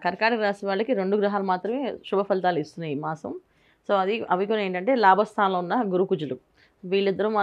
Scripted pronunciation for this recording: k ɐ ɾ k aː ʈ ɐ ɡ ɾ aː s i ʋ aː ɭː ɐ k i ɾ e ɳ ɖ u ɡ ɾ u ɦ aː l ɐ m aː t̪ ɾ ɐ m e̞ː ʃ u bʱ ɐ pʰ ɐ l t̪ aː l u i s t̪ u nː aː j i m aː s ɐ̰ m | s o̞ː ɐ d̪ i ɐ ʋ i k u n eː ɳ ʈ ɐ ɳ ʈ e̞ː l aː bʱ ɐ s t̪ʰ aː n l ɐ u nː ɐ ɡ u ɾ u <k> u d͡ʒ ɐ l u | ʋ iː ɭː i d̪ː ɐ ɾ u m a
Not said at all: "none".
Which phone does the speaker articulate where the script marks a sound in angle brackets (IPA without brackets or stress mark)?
k